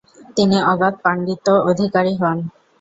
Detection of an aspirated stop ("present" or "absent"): absent